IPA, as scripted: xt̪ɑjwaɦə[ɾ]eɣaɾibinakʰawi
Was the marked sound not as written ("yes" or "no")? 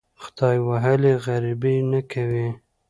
yes